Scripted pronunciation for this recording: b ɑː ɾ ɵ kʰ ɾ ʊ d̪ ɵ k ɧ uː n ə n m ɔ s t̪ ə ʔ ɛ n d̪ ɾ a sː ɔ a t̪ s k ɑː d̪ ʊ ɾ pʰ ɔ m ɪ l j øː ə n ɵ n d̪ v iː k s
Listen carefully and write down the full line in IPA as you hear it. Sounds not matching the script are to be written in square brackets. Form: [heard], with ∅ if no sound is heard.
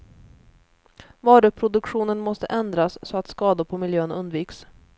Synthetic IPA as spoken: [v] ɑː ɾ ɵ [pʰ] ɾ ʊ d̪ ɵ k ɧ uː n ə n m ɔ s t̪ ə ʔ ɛ n d̪ ɾ a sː ɔ a t̪ s k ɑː d̪ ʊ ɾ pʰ ɔ m ɪ l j øː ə n ɵ n d̪ v iː k s